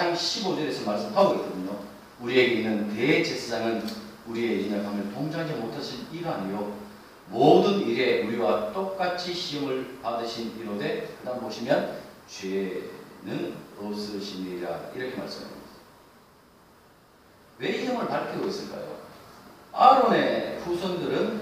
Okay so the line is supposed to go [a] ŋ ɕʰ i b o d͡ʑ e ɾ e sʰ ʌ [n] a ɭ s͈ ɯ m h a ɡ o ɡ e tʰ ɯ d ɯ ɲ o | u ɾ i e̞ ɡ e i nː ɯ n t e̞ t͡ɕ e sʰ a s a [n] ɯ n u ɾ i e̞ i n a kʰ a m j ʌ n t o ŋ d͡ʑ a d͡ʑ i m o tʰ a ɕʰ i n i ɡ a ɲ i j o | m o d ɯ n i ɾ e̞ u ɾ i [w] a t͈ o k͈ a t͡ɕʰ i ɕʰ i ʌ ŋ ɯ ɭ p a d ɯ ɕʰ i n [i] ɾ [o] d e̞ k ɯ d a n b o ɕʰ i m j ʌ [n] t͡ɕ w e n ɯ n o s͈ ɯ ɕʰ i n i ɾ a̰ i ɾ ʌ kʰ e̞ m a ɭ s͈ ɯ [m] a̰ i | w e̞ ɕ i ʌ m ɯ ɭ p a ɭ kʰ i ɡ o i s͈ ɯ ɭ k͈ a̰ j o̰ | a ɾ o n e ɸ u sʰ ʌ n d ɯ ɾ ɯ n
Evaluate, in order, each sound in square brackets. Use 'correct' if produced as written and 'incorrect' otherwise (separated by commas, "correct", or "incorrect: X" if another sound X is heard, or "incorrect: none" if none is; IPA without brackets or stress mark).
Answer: correct, incorrect: m, incorrect: ŋ, correct, correct, correct, correct, correct